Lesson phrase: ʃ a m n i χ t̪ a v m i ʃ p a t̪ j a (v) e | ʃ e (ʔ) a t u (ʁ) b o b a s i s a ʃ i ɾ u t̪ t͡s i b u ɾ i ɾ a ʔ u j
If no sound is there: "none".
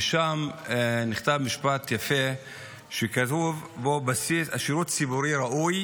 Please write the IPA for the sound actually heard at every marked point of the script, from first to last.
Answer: f, k, v

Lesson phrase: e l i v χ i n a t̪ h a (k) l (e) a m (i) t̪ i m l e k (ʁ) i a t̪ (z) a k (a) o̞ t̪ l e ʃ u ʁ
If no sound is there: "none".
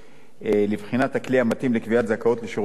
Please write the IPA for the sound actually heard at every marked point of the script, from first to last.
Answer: k, i, a, v, z, a

